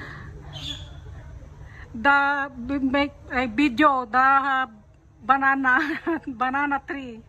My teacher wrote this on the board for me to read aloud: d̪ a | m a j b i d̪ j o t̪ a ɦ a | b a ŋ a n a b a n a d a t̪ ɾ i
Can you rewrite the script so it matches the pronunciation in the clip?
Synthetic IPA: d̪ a | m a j b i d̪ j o d̪ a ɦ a | b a n a n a b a n a n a t̪ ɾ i